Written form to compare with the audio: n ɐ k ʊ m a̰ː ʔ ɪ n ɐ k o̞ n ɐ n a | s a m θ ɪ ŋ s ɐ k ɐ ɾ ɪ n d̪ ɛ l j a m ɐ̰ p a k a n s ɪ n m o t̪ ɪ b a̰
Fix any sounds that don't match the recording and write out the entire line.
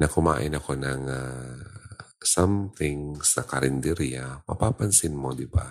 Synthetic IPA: n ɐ k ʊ m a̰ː ʔ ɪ n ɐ k o̞ n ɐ ŋ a | s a m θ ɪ ŋ s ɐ k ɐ ɾ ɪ n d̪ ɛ ɾ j a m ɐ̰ p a p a n s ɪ n m o d̪ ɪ b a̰